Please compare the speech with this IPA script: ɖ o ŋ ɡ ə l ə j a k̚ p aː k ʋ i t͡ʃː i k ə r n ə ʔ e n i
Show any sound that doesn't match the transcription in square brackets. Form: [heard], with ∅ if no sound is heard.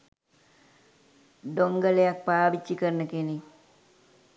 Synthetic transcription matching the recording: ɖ o ŋ ɡ ə l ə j a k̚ p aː [∅] ʋ i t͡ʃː i k ə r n ə [k] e n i